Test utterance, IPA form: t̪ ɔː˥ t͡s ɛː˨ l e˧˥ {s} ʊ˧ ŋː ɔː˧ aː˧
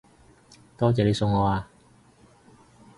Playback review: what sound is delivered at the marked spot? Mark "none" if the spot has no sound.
s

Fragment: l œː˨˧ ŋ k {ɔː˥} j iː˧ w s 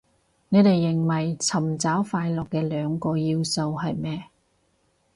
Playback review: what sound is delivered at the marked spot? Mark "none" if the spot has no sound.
ɔː˧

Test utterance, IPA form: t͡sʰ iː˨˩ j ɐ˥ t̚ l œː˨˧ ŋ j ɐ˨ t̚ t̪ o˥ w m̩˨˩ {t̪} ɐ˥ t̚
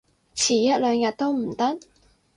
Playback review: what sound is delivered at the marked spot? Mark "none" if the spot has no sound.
t̪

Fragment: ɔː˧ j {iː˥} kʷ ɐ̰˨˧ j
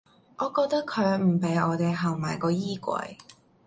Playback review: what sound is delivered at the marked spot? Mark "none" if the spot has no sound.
iː˥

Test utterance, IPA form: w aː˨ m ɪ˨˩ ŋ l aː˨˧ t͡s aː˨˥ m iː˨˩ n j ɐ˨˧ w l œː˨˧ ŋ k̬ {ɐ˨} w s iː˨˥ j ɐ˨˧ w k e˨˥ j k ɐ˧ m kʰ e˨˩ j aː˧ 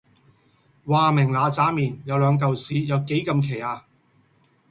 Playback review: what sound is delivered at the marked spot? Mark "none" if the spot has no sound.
ɐ˨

